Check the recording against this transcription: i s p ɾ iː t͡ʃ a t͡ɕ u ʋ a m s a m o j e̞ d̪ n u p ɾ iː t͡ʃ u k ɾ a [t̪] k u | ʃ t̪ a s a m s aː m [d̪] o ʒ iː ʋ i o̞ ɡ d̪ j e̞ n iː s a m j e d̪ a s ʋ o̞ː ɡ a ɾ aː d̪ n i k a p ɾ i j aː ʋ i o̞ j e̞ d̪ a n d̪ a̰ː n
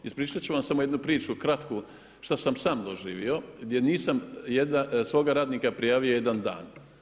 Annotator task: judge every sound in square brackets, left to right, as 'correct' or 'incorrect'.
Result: correct, correct

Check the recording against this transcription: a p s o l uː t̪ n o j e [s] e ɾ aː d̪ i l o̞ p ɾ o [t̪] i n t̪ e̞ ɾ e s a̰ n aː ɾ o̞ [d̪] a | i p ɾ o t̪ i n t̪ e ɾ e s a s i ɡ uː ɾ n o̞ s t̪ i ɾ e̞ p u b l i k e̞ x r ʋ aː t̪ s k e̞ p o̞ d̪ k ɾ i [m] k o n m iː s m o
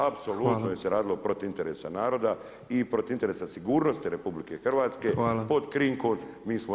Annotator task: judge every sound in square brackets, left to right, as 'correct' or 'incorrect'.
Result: correct, correct, correct, incorrect

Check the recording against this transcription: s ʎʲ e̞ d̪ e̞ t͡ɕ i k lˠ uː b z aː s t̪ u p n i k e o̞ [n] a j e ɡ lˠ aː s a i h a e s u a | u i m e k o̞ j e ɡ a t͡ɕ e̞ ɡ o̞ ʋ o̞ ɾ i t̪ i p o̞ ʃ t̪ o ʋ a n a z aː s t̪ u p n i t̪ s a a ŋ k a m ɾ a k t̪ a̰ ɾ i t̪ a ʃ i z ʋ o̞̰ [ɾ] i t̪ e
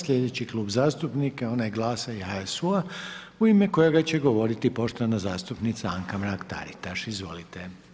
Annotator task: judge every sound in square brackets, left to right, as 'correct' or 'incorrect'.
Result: correct, incorrect

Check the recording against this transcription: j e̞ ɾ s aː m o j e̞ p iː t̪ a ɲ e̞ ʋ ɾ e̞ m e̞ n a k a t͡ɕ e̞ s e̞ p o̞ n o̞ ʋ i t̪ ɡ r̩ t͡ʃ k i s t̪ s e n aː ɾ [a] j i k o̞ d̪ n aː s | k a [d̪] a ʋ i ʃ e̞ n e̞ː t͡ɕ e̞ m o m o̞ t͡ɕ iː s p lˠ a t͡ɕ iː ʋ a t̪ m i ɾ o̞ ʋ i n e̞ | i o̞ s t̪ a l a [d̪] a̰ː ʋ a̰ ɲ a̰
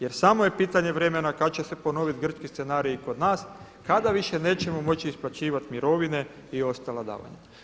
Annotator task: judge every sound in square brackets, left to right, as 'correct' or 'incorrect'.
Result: incorrect, correct, correct

